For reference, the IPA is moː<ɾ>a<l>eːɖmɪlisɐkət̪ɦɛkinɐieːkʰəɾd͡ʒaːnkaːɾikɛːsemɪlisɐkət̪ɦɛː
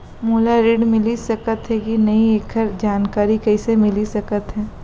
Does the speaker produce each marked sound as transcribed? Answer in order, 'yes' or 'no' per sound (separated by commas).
no, no